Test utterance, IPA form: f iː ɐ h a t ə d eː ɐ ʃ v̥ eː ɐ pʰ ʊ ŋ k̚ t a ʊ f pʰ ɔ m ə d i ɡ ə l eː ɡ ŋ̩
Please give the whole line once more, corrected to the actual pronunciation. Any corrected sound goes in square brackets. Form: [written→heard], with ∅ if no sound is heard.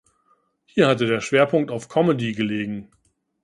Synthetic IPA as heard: [f→h] iː ɐ h a t ə d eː ɐ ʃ v̥ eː ɐ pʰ ʊ ŋ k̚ t a ʊ f [pʰ→kʰ] ɔ m ə d i ɡ ə l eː ɡ ŋ̩